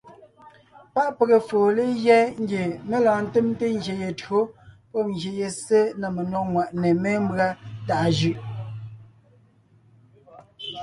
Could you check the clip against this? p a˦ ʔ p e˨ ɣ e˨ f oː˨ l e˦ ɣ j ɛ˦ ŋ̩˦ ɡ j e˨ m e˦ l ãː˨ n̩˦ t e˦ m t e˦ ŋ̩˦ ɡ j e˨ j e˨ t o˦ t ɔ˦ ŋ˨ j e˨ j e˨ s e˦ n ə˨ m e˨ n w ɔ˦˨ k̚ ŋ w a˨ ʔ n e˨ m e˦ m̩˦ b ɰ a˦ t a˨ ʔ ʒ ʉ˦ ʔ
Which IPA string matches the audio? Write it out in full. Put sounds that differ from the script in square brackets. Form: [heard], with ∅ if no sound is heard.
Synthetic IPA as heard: p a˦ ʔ p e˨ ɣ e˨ f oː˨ l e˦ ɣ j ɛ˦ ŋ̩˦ ɡ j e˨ m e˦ l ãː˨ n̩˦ t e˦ m t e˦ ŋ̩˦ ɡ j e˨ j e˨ t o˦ [p] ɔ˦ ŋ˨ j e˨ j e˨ s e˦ n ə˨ m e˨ n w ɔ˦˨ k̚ ŋ w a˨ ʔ n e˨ m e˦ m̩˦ b ɰ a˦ t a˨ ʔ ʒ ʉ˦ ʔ